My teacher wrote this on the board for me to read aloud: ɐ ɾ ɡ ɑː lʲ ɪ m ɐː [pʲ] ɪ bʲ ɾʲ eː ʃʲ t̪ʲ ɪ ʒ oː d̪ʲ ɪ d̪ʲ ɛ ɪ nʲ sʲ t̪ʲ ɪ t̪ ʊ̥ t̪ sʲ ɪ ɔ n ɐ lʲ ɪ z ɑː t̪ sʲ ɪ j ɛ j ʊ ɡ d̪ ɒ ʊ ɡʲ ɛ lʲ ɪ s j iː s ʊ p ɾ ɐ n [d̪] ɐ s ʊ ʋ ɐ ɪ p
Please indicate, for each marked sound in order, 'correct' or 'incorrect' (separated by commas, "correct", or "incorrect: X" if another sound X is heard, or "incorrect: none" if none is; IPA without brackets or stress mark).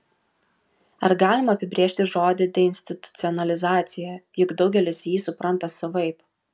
correct, incorrect: t̪